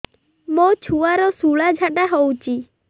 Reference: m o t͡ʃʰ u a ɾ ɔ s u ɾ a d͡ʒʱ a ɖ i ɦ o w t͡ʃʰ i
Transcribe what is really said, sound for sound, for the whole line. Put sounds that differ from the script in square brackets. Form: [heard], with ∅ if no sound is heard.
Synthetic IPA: m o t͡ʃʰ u a ɾ ɔ s u [ɭ] a d͡ʒʱ a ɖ [a] ɦ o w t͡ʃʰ i